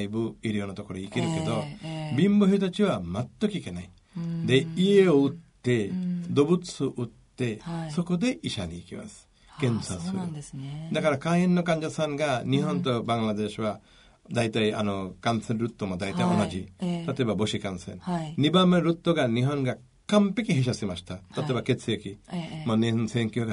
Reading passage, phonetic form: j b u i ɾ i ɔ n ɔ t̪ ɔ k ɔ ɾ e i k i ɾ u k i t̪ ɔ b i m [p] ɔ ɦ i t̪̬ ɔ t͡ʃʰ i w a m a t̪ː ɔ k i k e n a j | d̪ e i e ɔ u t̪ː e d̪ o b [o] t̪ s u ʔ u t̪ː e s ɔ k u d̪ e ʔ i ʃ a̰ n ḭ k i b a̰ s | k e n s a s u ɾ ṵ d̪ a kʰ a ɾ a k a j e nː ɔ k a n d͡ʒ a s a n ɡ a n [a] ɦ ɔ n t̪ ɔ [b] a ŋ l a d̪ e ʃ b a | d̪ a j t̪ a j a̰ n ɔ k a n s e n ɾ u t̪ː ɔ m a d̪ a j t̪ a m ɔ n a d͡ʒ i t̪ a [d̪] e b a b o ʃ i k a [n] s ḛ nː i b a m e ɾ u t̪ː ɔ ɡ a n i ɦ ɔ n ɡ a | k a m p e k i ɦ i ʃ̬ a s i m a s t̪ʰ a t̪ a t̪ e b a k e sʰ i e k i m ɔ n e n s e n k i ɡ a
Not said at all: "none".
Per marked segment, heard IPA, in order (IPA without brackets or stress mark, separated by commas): b, u, i, b, t̪, n